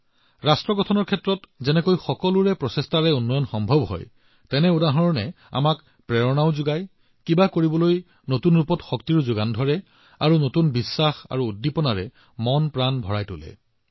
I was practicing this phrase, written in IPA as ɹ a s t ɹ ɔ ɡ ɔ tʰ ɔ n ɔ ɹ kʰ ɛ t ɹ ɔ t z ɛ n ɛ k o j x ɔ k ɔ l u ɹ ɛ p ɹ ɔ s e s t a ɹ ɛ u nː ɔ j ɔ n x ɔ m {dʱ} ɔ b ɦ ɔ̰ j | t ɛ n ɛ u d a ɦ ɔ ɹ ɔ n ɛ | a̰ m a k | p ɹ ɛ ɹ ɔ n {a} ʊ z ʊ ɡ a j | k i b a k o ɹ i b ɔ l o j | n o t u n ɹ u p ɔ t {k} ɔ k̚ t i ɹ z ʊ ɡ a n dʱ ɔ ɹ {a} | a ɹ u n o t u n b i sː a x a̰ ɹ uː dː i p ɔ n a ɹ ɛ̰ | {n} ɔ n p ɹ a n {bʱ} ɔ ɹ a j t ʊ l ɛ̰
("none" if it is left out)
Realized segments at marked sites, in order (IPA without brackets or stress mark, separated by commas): bʱ, a, x, ɛ, m, bʱ